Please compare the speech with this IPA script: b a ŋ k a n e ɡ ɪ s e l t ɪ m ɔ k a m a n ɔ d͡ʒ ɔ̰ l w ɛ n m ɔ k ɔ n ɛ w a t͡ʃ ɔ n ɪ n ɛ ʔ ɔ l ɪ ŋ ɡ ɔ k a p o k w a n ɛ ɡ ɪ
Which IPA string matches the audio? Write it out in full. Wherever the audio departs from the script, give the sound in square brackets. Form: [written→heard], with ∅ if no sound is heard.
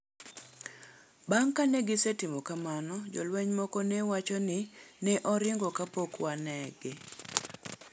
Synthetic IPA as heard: b a ŋ k a n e ɡ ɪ s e [l→∅] t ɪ m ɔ k a m a n ɔ d͡ʒ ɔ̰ l w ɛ [n→ɲ] m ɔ k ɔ n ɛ w a t͡ʃ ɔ n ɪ n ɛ ʔ ɔ [l→ɾ] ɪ ŋ ɡ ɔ k a p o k w a n ɛ ɡ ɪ